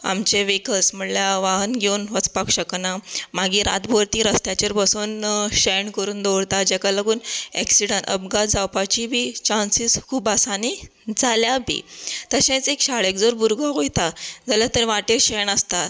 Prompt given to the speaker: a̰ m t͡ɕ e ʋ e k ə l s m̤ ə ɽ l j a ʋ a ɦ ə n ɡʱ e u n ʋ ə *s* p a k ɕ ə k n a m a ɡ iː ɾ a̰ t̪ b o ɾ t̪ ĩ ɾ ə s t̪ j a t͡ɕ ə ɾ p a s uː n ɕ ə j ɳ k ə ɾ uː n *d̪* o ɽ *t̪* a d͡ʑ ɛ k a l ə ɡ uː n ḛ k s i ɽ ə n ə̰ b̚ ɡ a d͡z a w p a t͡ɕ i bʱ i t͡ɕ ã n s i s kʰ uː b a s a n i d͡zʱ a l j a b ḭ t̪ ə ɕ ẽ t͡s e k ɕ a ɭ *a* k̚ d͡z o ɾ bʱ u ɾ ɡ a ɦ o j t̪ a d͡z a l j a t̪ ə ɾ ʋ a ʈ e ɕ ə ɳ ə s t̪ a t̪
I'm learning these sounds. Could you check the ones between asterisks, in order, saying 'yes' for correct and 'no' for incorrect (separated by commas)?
no, yes, yes, no